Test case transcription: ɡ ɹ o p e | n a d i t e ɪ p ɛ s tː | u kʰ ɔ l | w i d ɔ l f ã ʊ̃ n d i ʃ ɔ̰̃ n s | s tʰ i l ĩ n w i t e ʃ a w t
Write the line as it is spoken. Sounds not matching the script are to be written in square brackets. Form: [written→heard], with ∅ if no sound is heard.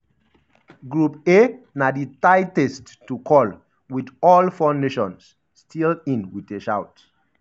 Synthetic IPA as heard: ɡ ɹ [o→u] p e | n a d i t [e→a] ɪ [p→t] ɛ s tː | u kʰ ɔ l | w i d ɔ l f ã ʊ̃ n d [i→e] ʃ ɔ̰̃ n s | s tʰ i l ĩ n w i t e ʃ a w t